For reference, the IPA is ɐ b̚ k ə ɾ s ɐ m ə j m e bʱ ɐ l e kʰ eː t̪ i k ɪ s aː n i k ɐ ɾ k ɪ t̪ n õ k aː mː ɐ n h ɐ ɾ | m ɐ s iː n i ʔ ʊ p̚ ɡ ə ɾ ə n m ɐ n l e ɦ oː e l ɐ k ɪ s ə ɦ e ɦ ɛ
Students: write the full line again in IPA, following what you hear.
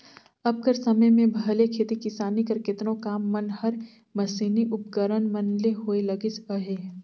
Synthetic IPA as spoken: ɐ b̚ k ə ɾ s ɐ m ə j m ẽ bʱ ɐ l e kʰ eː t̪ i k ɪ s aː n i k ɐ ɾ k ɪ t̪ n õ k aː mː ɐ n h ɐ ɾ | m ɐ s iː n i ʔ ʊ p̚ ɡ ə ɾ ə n m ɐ n l e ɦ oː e l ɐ ɡ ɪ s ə ɦ e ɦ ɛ